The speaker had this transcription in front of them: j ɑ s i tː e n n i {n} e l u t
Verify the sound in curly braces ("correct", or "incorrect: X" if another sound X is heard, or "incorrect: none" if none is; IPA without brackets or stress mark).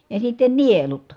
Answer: incorrect: none